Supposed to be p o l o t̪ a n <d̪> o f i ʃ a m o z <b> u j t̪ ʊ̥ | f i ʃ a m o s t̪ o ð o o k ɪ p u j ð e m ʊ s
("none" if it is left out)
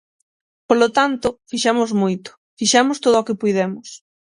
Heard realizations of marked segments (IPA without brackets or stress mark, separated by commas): t̪, m